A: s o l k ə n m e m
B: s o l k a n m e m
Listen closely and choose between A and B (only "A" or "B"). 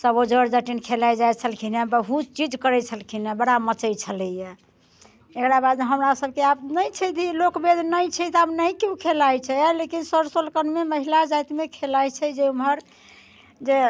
A